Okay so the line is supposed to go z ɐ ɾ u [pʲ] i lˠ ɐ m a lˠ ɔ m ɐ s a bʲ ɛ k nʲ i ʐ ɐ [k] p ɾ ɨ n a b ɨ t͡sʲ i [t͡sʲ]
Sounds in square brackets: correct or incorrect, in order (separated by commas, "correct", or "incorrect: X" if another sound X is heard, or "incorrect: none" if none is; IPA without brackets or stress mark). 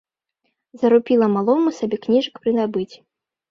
correct, correct, incorrect: none